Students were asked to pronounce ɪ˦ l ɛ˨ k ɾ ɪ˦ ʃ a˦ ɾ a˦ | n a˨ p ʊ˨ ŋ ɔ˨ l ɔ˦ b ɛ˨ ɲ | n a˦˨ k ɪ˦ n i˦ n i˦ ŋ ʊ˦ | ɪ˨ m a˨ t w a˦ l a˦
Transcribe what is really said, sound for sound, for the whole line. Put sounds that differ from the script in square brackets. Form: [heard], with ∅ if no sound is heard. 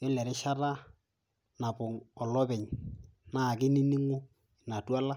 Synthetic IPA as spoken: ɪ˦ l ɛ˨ [∅] ɾ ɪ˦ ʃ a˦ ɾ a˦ | n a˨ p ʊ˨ ŋ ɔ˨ l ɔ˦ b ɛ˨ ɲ | n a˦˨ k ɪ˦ n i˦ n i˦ ŋ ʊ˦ | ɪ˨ [n] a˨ t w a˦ l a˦